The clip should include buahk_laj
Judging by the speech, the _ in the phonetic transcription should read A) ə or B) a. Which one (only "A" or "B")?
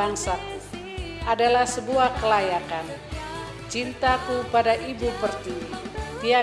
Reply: A